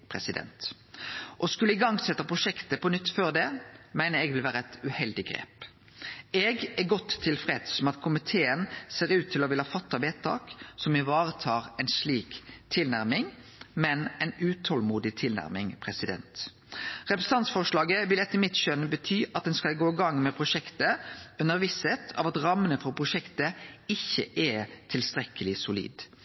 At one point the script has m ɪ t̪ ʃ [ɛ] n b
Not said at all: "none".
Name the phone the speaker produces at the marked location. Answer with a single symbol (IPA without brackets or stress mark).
œ